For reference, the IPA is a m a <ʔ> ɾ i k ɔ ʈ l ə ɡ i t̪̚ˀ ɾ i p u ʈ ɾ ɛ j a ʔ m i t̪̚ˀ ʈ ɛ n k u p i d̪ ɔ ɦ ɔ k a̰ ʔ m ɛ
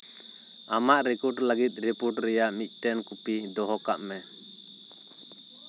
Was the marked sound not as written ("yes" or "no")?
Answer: no